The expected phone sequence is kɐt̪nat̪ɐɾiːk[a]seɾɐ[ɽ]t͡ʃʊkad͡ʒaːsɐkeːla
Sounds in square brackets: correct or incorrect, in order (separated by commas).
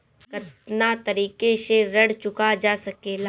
incorrect, correct